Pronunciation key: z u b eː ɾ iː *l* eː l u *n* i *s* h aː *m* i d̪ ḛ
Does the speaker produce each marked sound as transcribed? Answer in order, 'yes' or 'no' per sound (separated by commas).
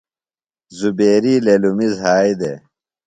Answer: yes, no, no, no